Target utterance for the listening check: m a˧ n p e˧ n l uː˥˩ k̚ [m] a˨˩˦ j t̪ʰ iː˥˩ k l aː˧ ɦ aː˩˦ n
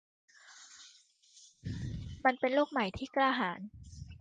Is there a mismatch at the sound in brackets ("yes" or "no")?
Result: no